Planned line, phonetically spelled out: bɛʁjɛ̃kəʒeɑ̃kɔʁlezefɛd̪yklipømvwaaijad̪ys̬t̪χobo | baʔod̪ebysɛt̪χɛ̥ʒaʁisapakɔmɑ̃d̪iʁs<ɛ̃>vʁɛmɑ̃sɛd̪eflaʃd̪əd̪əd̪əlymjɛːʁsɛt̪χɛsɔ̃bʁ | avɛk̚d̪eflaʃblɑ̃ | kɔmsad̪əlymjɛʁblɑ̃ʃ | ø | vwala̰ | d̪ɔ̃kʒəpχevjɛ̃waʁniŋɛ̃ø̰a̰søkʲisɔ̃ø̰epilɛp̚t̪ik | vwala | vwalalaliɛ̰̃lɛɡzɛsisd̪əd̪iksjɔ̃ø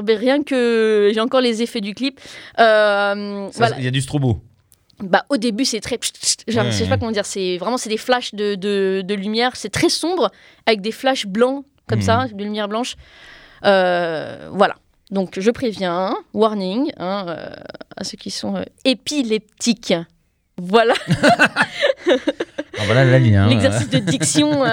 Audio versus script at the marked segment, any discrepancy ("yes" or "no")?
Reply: yes